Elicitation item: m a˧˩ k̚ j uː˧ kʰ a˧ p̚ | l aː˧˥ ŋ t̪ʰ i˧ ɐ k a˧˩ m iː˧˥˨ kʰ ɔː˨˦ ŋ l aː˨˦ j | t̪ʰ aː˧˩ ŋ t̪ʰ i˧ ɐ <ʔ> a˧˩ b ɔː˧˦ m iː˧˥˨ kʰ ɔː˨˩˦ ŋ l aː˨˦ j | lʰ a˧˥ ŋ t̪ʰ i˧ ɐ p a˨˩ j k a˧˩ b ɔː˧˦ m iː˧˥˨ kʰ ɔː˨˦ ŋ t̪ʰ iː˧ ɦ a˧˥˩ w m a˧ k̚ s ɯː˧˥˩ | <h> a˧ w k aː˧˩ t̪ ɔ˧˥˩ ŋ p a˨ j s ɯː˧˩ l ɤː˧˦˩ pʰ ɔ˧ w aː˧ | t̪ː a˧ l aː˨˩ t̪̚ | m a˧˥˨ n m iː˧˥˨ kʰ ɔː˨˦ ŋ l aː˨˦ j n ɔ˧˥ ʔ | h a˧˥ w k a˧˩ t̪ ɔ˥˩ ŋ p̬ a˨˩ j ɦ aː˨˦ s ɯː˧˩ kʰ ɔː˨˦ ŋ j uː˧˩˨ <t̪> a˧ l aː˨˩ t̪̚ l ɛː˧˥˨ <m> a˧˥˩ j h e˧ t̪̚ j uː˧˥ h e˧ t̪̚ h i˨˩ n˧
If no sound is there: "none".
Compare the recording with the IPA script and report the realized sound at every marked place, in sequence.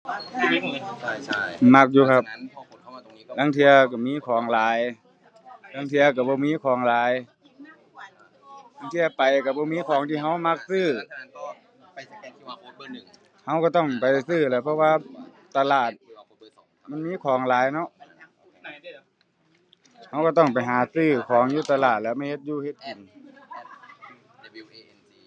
k, h, t̪, m

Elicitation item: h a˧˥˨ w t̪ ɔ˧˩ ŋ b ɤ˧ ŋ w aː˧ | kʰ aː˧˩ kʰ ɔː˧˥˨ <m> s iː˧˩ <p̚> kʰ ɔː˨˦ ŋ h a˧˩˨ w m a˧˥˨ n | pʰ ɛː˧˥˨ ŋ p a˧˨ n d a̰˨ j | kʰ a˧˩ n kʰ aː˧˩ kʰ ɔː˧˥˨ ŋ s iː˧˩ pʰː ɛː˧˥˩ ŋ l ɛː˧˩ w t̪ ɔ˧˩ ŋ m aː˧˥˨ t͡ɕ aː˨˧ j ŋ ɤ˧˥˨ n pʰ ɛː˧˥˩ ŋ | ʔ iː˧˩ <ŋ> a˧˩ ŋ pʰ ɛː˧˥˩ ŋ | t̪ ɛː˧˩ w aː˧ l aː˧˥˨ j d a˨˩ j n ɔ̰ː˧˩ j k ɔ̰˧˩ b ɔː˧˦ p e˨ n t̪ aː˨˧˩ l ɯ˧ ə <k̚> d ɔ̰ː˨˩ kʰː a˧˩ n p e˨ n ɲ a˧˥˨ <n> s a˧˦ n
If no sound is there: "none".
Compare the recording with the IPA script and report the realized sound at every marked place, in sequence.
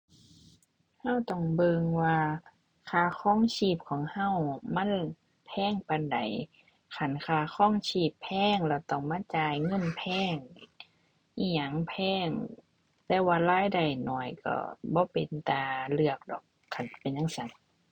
ŋ, p̚, ɲ, k̚, ŋ

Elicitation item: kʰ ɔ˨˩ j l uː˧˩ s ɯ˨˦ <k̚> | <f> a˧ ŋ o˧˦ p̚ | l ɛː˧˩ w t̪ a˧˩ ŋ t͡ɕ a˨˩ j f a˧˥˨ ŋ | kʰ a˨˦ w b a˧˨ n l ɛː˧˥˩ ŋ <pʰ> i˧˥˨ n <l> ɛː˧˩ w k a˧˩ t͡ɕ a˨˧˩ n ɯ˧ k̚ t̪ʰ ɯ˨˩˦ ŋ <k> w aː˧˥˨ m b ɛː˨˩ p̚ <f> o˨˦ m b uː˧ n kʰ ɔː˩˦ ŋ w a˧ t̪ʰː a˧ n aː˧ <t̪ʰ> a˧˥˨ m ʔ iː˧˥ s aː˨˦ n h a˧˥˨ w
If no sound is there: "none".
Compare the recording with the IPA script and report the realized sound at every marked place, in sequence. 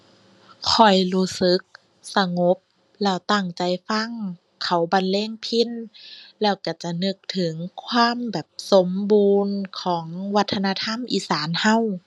k̚, s, pʰ, l, kʰ, s, t̪ʰ

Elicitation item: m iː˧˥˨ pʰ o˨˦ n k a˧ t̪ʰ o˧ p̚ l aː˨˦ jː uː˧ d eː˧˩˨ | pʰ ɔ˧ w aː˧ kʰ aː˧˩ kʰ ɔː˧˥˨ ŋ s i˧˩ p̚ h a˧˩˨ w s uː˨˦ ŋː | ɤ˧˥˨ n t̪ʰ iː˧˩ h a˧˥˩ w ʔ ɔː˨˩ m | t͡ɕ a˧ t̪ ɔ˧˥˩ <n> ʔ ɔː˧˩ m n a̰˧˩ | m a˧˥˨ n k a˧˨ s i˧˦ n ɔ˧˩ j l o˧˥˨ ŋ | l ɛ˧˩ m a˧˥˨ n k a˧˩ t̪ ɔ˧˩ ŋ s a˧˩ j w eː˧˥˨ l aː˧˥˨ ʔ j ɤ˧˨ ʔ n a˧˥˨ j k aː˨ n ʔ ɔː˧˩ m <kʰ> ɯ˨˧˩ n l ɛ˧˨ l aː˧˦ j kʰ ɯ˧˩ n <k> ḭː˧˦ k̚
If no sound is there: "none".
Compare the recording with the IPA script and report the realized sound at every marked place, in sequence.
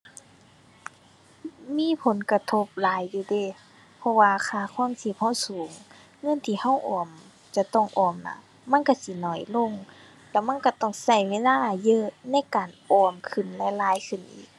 ŋ, kʰ, ʔ

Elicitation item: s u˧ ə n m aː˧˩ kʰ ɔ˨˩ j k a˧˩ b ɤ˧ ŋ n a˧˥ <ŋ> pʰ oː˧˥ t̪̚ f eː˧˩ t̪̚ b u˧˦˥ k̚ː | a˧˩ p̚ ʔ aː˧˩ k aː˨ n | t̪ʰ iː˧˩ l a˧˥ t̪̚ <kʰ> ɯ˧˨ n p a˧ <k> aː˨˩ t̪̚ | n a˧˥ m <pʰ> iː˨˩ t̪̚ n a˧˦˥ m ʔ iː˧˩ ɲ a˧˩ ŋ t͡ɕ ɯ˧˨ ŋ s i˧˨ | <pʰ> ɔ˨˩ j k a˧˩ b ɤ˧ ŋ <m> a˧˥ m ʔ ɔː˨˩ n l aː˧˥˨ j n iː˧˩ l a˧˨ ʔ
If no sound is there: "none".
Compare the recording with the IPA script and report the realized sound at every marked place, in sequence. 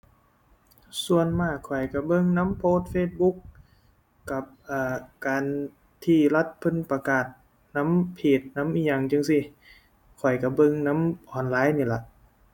m, pʰ, k, pʰ, kʰ, n

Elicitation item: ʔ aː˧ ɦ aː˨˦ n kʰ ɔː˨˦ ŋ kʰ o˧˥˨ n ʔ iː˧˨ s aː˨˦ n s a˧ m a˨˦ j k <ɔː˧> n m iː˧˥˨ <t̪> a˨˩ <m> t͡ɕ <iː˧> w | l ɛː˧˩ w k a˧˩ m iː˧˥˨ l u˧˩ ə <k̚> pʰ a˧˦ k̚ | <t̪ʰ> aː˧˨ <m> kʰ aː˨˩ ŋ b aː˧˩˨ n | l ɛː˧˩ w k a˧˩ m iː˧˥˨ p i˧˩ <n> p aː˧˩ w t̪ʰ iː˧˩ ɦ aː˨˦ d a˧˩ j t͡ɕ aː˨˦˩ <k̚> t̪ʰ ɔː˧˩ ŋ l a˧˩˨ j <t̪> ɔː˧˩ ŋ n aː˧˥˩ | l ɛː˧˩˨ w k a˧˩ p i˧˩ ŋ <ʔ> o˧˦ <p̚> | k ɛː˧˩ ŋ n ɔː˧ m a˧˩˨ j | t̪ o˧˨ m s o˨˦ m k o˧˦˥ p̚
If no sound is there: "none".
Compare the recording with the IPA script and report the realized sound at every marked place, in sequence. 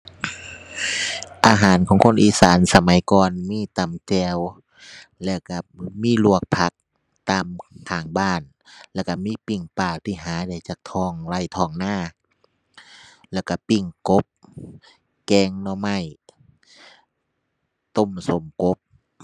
ɔː˧, t̪, m, ɛː˧, k̚, t̪, m, ŋ, k̚, t̪ʰ, k, p̚

